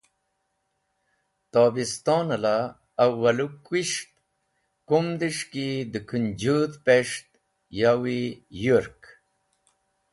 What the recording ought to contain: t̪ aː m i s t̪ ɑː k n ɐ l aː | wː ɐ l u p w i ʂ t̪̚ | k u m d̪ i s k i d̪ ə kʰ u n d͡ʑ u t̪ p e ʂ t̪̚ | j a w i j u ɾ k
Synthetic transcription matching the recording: t̪ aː b i s t̪ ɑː n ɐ l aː | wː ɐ l u k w i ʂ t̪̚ | k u m d̪ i ʂ k i d̪ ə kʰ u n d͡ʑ u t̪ p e ʂ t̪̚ | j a w i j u ɾ k